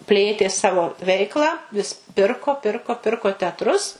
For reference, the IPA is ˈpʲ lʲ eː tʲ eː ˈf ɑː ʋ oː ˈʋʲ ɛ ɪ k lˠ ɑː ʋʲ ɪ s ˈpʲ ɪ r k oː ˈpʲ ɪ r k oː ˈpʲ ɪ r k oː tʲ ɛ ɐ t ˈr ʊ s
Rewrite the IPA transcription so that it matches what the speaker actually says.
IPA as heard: ˈpʲ lʲ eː tʲ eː ˈs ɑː ʋ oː ˈʋʲ ɛ ɪ k lˠ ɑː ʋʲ ɪ s ˈpʲ ɪ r k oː ˈpʲ ɪ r k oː ˈpʲ ɪ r k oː tʲ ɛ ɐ t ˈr ʊ s